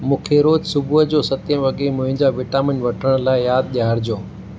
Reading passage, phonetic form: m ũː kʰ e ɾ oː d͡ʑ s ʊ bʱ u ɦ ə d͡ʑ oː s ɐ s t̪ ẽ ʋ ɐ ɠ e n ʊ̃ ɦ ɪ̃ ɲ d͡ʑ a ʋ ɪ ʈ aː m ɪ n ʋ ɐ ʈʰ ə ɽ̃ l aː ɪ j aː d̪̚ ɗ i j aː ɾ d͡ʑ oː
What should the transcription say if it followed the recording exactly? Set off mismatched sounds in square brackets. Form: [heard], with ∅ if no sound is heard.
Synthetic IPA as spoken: m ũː kʰ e ɾ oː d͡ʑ s ʊ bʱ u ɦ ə d͡ʑ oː s ɐ [∅] t̪ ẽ ʋ ɐ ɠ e [m] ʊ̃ ɦ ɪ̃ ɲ d͡ʑ a ʋ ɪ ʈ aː m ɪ n ʋ ɐ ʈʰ ə ɽ̃ l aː ɪ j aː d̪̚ ɗ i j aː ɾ d͡ʑ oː